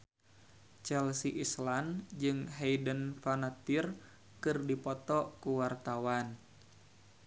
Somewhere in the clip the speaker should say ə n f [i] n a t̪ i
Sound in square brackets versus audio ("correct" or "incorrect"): incorrect